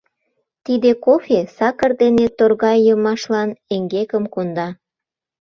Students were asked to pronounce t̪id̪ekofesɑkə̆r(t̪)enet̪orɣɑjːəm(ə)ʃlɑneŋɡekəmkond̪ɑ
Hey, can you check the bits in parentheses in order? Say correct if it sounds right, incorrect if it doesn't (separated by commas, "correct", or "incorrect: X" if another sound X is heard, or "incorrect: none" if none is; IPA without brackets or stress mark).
incorrect: d̪, incorrect: ɑ